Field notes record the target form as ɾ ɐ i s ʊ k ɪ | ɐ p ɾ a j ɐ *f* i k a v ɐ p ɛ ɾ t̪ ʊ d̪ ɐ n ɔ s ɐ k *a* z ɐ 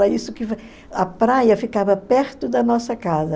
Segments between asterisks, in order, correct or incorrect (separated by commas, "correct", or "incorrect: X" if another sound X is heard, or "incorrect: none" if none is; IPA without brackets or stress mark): correct, correct